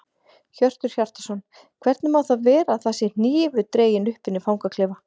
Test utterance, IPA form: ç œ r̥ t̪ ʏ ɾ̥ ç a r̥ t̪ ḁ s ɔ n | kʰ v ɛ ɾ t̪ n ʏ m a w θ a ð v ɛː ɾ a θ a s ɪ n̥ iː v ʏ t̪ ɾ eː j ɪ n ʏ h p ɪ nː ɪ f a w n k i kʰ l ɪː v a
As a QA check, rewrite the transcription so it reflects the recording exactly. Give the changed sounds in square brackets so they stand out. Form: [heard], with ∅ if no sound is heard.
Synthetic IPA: ç œ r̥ t̪ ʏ ɾ̥ ç a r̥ t̪ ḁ s ɔ n | kʰ v ɛ ɾ t̪ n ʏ m a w θ a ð v ɛː ɾ a θ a s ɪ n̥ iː v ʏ t̪ ɾ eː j ɪ n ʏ h p ɪ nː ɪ f a w [ŋ] k [a] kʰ l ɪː v a